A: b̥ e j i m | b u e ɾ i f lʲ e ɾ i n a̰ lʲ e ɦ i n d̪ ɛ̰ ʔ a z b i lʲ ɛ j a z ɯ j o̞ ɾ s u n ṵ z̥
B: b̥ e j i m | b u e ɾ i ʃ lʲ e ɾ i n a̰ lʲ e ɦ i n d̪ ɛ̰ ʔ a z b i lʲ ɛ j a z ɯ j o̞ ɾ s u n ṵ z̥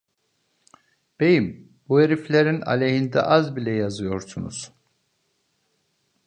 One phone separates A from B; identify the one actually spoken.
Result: A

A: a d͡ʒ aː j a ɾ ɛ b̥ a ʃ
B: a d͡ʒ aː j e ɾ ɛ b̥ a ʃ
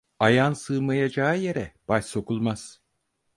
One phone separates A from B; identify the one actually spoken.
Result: B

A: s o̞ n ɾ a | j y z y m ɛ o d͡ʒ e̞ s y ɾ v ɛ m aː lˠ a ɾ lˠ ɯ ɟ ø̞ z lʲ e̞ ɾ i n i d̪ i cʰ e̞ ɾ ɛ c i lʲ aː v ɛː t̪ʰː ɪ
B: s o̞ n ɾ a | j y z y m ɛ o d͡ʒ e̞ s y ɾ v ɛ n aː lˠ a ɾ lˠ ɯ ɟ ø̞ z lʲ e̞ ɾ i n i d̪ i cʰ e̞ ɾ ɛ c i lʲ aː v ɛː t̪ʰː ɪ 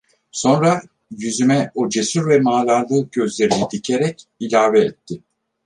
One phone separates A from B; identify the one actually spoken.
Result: A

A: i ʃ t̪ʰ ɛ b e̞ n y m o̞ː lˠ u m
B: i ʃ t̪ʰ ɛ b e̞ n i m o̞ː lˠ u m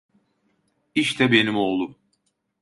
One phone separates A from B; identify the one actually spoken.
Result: B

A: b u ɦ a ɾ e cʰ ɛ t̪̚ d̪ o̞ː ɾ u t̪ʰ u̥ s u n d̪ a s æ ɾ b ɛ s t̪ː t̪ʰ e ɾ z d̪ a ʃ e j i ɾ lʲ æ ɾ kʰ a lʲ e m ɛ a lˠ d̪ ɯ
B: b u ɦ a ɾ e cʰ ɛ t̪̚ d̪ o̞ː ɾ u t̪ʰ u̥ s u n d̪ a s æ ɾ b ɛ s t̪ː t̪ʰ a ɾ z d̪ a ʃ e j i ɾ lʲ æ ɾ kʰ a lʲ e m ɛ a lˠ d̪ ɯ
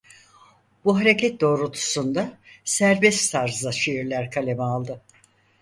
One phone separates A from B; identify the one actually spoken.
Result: B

